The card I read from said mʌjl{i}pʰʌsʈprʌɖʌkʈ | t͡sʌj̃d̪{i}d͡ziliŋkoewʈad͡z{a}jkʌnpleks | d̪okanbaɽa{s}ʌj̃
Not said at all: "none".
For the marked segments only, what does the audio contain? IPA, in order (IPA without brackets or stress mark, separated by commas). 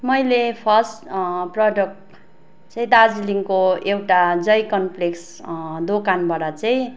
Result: e, a, ʌ, t͡s